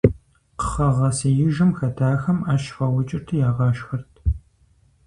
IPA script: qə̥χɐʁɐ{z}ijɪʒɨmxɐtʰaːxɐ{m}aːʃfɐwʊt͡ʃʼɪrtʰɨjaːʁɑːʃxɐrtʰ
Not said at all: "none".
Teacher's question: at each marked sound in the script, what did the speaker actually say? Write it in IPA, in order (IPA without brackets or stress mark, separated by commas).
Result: s, m